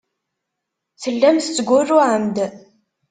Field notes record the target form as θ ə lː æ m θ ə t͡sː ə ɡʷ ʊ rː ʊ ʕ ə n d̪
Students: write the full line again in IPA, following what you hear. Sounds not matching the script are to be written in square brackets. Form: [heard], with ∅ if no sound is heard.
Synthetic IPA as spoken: θ ə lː æ m θ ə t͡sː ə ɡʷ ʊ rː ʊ ʕ ə [m] d̪